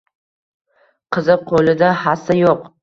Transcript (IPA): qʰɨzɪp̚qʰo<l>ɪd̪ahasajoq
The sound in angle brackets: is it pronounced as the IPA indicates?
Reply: yes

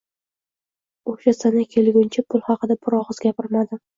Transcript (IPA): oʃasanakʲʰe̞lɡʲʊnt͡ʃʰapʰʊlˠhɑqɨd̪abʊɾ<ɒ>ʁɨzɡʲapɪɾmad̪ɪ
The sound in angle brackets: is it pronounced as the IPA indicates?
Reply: yes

